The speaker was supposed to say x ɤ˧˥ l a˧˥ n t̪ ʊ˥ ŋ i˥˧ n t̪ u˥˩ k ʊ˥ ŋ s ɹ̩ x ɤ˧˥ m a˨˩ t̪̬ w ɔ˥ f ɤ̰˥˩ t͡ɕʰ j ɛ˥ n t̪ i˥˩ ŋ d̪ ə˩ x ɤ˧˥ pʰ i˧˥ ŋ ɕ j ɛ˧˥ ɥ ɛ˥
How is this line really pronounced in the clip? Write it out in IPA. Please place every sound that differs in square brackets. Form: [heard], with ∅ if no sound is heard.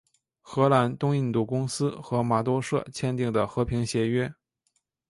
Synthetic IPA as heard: x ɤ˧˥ l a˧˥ n t̪ ʊ˥ ŋ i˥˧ n t̪ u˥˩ k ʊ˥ ŋ s ɹ̩ x ɤ˧˥ m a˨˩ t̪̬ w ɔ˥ [ʂ] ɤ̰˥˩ t͡ɕʰ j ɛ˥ n t̪ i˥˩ ŋ d̪ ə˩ x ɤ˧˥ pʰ i˧˥ ŋ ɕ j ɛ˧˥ ɥ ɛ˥